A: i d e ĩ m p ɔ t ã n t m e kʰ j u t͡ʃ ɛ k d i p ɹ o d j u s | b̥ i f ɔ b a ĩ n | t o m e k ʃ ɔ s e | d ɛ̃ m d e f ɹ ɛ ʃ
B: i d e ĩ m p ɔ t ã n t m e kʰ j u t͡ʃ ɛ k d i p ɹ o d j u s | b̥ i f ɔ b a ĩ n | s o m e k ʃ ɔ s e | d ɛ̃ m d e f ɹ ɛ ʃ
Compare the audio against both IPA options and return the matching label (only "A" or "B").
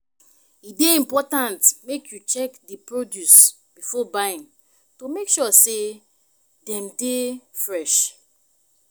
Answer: A